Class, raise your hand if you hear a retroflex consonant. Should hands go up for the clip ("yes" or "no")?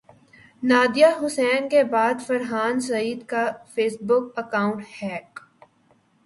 yes